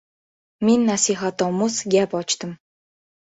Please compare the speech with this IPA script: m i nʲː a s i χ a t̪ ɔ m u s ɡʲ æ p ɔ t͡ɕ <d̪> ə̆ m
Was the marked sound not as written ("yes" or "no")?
yes